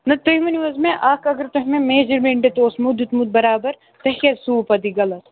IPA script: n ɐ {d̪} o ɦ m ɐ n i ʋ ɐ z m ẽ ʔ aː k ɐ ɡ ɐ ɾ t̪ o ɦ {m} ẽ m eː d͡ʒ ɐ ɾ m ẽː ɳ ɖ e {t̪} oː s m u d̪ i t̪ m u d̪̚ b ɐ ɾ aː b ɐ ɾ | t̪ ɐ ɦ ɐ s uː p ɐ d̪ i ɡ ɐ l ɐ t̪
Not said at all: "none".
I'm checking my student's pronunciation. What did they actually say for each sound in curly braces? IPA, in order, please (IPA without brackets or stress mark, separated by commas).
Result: t̪, m, t̪